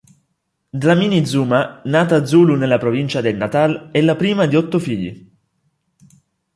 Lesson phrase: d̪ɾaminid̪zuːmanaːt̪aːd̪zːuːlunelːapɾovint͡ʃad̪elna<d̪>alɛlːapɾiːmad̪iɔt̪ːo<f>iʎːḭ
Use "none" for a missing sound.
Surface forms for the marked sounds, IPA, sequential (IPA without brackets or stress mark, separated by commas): t̪, f